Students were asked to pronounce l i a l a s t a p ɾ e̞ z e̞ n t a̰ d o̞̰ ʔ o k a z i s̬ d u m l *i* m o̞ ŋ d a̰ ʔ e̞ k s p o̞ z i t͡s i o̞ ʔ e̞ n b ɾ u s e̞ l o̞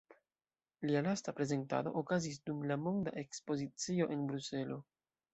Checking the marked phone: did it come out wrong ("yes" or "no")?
yes